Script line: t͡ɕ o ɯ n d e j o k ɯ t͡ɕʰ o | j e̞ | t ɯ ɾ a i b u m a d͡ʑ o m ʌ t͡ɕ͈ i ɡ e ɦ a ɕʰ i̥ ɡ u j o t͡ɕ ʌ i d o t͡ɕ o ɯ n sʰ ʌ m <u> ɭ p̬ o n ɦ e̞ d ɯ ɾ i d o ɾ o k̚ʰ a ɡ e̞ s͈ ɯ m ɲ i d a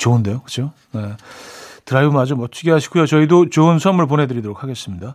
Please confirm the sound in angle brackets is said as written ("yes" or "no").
no